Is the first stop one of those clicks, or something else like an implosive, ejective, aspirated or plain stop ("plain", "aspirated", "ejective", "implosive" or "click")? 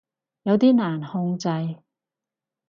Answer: plain